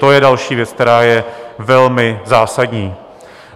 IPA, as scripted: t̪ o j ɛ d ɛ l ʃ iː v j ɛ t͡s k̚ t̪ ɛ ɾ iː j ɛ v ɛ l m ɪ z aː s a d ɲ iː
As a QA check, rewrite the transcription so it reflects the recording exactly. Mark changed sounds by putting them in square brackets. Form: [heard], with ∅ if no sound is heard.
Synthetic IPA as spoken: t̪ o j ɛ d [a] l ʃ iː v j ɛ t͡s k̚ t̪ ɛ ɾ [aː] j ɛ v ɛ l m ɪ z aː s a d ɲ iː